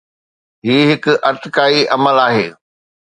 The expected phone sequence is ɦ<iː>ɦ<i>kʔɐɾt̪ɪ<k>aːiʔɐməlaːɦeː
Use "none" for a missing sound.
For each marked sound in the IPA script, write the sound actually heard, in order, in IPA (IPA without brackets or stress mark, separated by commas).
iː, ɪ, k